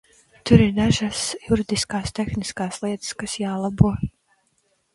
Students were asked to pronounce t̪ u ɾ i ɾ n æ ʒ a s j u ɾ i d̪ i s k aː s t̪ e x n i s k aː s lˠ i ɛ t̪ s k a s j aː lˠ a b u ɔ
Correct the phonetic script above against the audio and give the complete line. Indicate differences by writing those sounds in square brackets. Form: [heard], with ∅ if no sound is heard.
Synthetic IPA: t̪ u ɾ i ɾ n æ ʒ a s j u ɾ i d̪ i s k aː s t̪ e x n i s k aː s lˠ i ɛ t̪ s k a s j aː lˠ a b u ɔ